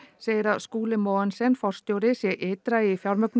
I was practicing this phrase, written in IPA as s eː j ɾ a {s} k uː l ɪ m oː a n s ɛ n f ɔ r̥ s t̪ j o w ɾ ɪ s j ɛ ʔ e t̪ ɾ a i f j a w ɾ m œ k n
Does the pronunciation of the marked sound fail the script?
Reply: no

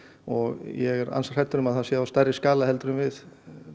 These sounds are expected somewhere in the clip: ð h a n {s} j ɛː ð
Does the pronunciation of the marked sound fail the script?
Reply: no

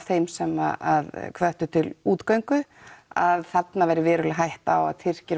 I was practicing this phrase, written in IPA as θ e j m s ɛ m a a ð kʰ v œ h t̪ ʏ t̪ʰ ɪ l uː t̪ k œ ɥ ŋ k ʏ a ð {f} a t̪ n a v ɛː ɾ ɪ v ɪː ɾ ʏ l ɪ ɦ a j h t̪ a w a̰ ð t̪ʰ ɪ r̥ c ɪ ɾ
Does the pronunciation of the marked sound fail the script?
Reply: yes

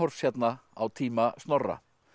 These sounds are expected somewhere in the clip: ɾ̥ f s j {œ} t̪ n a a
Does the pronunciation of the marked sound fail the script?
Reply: yes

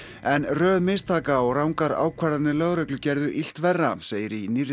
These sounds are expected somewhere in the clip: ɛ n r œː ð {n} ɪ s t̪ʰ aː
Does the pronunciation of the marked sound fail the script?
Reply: yes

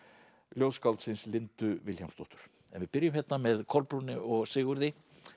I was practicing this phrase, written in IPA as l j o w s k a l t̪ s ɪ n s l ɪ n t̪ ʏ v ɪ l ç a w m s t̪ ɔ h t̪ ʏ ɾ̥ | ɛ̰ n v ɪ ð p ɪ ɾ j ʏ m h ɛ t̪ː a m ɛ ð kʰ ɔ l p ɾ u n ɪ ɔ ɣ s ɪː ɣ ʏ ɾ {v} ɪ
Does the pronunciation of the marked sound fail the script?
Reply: yes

